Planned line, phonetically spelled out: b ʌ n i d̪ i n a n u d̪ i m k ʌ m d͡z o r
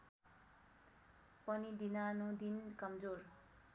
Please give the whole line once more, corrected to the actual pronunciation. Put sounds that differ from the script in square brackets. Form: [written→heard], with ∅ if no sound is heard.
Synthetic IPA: [b→p] ʌ n i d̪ i n a n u d̪ i [m→n] k ʌ m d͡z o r